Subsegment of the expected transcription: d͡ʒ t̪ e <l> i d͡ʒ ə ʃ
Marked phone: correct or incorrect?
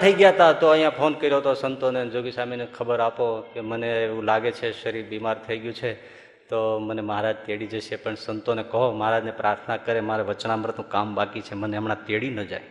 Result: incorrect